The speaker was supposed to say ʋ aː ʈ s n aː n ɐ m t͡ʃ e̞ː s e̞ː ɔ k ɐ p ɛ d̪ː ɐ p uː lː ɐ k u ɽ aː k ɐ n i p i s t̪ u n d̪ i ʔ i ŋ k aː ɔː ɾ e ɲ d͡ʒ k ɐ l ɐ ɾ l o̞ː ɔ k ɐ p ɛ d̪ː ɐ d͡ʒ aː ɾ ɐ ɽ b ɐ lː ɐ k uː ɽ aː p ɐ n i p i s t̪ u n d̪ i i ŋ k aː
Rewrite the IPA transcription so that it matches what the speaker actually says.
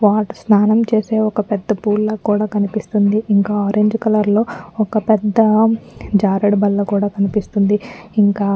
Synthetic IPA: ʋ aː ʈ s n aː n ɐ m t͡ʃ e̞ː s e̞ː ɔ k ɐ p ɛ d̪ː ɐ p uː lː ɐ k uː ɽ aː k ɐ n i p i s t̪ u n d̪ i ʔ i ŋ k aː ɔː ɾ e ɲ d͡ʒ k ɐ l ɐ ɾ l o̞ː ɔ k ɐ p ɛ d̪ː ɐ d͡ʒ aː ɾ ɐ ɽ b ɐ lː ɐ k uː ɽ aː k ɐ n i p i s t̪ u n d̪ i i ŋ k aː

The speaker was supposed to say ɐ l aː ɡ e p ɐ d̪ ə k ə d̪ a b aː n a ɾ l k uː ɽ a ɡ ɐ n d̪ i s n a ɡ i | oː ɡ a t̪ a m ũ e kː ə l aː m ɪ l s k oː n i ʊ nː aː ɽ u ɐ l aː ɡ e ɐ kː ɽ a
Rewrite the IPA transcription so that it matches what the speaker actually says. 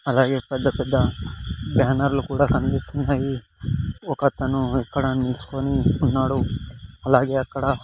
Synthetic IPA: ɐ l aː ɡ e p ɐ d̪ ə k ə d̪ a b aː n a ɾ l k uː ɽ a k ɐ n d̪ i s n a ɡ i | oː k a t̪ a n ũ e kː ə ɽ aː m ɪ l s k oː n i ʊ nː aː ɽ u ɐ l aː ɡ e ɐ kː ɽ a

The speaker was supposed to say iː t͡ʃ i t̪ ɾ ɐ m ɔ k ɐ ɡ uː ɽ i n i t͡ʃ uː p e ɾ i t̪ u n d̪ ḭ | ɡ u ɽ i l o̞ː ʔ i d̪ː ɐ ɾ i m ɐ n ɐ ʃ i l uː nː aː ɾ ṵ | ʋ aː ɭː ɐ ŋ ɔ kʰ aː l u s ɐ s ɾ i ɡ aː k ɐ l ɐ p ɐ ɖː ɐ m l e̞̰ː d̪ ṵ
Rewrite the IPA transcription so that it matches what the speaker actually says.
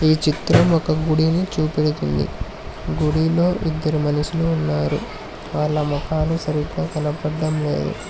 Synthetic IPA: iː t͡ʃ i t̪ ɾ ɐ m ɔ k ɐ ɡ u ɽ i n i t͡ʃ uː p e ɽ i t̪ u n d̪ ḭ | ɡ u ɽ i l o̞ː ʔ i d̪ː ɐ ɾ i m ɐ n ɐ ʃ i l uː nː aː ɾ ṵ | ʋ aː ɭː ɐ m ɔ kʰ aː l u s ɐ ɾ i ɡ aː k ɐ l ɐ p ɐ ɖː ɐ m l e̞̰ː d̪ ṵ

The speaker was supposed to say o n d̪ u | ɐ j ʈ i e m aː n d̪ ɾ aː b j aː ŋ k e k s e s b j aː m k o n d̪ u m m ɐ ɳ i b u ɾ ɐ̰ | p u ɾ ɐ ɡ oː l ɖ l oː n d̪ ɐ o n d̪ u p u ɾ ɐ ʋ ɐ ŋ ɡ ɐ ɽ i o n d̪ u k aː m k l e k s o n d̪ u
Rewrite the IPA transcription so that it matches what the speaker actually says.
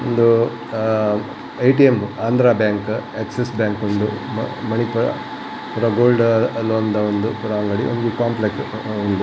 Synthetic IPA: o n d̪ u | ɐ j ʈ i e m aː n d̪ ɾ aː b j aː ŋ k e k s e s b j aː ŋ k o n d̪ u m m ɐ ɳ i p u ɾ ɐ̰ | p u ɾ ɐ ɡ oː l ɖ l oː n d̪ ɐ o n d̪ u p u ɾ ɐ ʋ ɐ ŋ ɡ ɐ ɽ i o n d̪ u k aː m p l e k s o n d̪ u

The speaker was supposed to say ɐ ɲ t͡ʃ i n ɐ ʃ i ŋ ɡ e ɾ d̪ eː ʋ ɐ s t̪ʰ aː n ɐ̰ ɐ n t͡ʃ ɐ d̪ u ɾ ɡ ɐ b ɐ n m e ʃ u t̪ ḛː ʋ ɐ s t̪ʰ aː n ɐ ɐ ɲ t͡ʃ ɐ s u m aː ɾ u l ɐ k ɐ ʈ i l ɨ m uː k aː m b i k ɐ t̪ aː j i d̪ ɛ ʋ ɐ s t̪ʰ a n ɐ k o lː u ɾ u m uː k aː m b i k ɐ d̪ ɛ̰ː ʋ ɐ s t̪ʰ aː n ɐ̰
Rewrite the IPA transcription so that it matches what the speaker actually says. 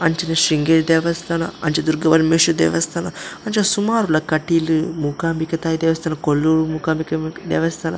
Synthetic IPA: ɐ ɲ t͡ʃ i n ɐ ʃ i ŋ ɡ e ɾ d̪ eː ʋ ɐ s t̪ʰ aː n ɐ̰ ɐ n t͡ʃ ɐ d̪ u ɾ ɡ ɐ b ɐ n m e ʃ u d̪ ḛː ʋ ɐ s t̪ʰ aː n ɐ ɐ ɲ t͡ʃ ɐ s u m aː ɾ u l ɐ k ɐ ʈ i l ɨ m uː k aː m b i k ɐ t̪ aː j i d̪ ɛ ʋ ɐ s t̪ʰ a n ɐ k o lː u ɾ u m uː k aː m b i k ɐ d̪ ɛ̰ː ʋ ɐ s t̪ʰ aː n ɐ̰

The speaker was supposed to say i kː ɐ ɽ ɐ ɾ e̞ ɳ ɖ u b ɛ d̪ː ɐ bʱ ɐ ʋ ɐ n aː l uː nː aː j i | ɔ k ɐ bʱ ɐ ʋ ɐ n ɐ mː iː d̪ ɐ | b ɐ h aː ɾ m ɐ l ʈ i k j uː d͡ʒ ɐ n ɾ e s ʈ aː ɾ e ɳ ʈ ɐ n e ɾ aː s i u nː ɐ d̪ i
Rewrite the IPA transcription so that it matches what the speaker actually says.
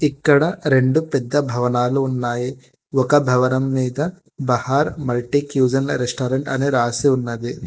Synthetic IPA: i kː ɐ ɽ ɐ ɾ e̞ ɳ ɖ u p ɛ d̪ː ɐ bʱ ɐ ʋ ɐ n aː l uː nː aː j i | ɔ k ɐ bʱ ɐ ʋ ɐ n ɐ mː iː d̪ ɐ | b ɐ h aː ɾ m ɐ l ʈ i k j uː d͡ʒ ɐ n ɾ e s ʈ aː ɾ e ɳ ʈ ɐ n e ɾ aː s i u nː ɐ d̪ i

